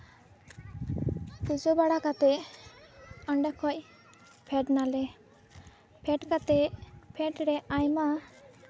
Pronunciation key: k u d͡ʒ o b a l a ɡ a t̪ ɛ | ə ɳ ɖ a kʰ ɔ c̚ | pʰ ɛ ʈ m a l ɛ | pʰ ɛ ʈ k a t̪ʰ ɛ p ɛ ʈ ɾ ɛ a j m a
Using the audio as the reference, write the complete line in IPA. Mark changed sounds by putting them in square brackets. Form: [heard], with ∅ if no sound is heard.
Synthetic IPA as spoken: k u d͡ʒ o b a [ɽ] a [k] a t̪ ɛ | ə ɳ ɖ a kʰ ɔ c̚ | pʰ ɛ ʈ [n] a l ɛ | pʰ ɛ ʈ k a [t̪] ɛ [pʰ] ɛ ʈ ɾ ɛ a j m a